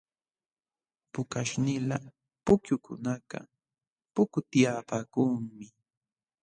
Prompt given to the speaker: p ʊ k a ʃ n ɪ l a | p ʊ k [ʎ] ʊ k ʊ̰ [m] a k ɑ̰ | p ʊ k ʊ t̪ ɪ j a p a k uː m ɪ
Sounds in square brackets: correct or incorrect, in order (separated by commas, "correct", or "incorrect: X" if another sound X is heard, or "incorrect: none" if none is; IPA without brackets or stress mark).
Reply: incorrect: j, incorrect: n